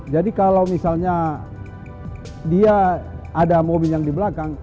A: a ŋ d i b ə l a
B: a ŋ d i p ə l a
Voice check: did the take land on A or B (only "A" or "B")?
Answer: A